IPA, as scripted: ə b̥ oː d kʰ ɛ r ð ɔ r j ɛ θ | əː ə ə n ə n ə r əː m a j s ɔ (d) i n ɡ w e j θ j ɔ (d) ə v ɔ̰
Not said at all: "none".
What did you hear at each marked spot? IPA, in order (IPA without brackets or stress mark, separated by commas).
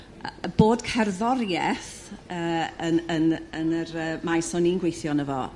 n, n